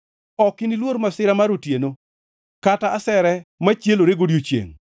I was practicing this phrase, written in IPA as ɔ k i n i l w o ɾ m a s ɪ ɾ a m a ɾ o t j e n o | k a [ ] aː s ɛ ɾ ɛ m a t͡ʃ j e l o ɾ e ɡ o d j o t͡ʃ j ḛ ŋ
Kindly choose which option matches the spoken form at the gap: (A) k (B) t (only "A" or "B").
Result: B